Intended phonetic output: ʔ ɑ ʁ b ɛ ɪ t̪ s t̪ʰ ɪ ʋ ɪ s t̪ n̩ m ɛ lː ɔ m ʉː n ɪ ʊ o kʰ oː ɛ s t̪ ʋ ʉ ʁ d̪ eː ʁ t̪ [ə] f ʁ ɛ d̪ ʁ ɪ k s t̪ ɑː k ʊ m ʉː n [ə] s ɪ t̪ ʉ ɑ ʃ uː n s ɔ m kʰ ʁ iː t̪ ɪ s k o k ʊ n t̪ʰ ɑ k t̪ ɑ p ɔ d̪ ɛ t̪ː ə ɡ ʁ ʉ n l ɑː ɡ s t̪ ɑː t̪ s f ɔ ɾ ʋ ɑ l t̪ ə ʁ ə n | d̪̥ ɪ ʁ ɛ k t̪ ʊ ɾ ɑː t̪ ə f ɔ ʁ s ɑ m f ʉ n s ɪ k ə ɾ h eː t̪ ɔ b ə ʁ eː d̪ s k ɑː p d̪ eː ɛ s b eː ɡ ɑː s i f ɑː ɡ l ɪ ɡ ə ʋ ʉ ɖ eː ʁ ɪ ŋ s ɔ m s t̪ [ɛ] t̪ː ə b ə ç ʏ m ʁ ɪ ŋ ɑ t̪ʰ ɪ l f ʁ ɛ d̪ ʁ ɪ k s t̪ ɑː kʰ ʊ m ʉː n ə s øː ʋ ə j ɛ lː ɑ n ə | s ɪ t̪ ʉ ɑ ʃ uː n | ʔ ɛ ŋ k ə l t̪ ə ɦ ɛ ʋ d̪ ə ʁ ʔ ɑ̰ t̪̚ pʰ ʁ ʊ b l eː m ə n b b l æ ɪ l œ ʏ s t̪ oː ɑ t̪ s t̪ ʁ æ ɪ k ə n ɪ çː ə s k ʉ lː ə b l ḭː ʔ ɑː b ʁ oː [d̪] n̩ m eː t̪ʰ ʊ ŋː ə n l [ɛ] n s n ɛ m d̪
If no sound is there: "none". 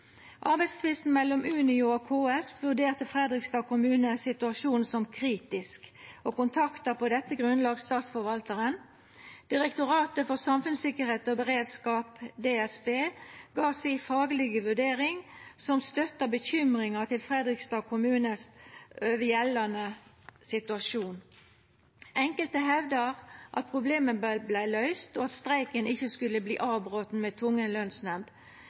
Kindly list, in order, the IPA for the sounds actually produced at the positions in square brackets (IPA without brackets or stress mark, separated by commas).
ə, ə, œ, t̪, œ